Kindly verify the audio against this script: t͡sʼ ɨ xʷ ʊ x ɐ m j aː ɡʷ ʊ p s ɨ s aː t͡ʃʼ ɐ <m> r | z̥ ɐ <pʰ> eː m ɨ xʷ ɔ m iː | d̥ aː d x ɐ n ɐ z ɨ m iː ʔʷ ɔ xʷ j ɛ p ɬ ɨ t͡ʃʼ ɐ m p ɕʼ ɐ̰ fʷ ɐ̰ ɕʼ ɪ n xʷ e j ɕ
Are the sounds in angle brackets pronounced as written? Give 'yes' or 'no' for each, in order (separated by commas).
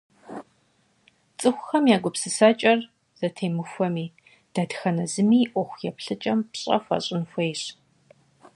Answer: no, no